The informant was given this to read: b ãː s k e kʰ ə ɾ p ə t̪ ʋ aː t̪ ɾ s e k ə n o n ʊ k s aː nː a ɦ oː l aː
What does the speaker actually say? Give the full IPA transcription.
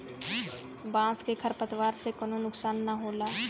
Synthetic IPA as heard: b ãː s k e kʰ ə ɾ p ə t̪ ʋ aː ɾ s e k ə n o n ʊ k s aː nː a ɦ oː l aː